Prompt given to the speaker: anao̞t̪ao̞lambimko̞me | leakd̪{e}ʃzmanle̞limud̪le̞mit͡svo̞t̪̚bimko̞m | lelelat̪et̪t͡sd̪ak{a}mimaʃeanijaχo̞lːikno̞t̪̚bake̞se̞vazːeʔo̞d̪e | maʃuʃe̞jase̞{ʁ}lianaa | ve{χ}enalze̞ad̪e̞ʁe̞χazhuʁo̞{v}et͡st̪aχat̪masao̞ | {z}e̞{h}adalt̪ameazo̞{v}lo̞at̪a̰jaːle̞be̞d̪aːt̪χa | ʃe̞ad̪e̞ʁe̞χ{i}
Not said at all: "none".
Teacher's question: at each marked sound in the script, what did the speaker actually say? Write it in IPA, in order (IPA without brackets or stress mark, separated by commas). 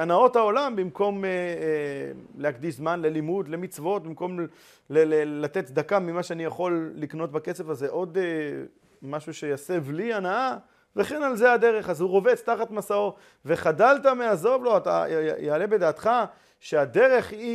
i, a, v, χ, v, v, χ, v, i